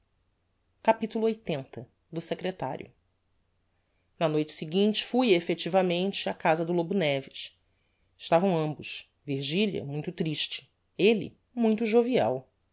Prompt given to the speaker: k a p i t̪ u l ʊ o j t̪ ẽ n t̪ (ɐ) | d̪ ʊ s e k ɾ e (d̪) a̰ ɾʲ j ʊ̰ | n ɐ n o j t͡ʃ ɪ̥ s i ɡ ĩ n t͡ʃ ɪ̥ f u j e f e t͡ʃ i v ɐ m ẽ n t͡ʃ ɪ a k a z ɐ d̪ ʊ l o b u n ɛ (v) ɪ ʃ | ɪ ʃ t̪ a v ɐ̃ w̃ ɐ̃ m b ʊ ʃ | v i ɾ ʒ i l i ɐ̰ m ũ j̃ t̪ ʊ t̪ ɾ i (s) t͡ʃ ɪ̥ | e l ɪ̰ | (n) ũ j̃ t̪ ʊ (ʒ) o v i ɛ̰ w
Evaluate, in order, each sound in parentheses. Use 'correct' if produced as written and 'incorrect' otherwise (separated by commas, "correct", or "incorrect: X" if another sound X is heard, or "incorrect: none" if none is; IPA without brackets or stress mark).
correct, incorrect: t̪, correct, incorrect: ʃ, incorrect: m, correct